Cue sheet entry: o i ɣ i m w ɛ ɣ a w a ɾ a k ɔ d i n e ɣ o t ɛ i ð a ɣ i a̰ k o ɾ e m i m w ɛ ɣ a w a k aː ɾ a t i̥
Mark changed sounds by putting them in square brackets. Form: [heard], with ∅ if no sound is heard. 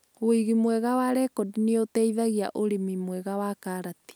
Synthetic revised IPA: o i ɣ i m w ɛ ɣ a w a ɾ [ɛ] k ɔ d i n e [∅] o t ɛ i ð a ɣ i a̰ [ʔ] o ɾ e m i m w ɛ ɣ a w a k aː ɾ a t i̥